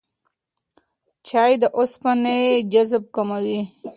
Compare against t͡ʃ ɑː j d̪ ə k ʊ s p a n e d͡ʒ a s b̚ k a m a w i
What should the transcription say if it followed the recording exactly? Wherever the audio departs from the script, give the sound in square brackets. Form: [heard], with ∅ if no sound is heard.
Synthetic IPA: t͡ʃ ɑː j d̪ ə [ʔ] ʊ s p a n e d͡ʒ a [z] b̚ k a m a w i